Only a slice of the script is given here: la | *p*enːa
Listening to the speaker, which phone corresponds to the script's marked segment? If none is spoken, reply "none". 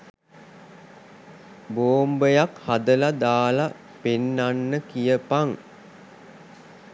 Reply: p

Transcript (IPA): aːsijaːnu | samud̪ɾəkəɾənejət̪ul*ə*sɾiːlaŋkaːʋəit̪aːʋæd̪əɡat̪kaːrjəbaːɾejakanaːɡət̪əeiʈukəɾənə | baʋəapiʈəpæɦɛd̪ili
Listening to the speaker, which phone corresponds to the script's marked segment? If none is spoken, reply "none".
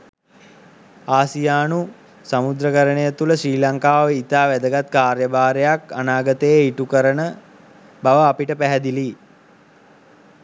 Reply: ə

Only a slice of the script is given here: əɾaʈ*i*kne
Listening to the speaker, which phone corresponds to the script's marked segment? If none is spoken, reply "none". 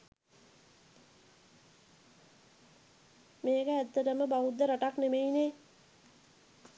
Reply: a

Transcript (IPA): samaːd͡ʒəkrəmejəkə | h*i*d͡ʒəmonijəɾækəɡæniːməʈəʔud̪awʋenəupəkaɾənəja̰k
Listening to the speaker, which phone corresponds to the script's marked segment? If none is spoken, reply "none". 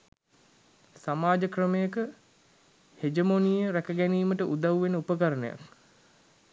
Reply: e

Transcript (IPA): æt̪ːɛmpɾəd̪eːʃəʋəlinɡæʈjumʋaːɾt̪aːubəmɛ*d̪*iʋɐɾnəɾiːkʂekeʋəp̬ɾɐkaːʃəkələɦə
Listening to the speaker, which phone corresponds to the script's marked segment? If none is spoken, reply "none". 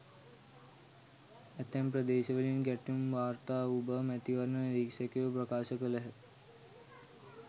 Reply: t̪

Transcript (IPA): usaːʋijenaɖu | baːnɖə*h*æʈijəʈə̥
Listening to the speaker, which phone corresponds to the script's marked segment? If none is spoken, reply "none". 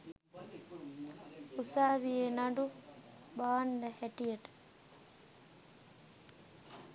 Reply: h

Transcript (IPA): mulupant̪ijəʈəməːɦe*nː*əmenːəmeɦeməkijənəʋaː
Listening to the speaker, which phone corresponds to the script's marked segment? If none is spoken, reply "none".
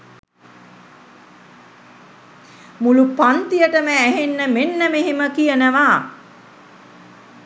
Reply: nː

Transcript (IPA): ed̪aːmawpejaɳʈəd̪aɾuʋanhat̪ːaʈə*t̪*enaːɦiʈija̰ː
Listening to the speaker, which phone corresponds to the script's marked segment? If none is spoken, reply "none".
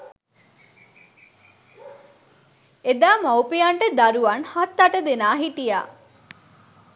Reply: d̪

